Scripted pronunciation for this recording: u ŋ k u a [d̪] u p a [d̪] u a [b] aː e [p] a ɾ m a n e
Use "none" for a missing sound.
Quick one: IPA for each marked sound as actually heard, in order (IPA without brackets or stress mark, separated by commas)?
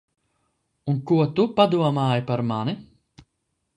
t̪, d̪, m, p